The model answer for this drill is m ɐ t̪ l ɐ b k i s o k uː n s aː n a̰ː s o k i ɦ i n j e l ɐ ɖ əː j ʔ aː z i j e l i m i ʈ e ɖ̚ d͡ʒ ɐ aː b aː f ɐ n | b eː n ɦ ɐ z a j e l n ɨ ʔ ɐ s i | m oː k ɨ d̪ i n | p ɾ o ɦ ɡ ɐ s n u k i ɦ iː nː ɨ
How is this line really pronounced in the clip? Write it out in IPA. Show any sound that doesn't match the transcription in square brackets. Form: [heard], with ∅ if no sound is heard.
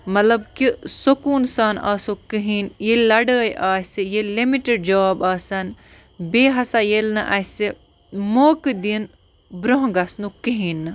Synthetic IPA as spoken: m ɐ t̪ l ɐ b k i s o k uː n s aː n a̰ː s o k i ɦ i n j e l ɐ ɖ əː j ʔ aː [s] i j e l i m i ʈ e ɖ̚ d͡ʒ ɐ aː b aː [s] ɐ n | b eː [∅] ɦ ɐ [s] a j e l n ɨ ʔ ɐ s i | m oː k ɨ d̪ i n | [b] ɾ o ɦ ɡ ɐ s n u k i ɦ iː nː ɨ